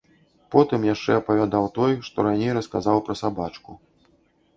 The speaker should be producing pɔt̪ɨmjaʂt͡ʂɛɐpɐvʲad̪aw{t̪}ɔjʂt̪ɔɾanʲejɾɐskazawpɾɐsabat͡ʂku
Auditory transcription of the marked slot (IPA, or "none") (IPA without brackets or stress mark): t̪